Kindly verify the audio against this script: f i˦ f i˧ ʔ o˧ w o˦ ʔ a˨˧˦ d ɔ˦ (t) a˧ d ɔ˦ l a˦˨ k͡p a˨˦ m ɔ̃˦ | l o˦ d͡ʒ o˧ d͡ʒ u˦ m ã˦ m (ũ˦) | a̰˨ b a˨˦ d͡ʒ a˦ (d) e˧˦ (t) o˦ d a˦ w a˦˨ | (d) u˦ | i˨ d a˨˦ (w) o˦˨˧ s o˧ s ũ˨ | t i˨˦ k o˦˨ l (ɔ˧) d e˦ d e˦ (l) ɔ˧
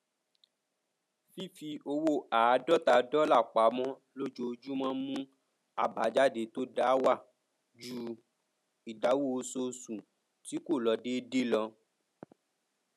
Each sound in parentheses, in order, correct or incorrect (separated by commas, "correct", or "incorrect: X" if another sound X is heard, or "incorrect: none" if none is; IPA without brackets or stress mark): correct, correct, correct, correct, incorrect: d͡ʒ, correct, correct, correct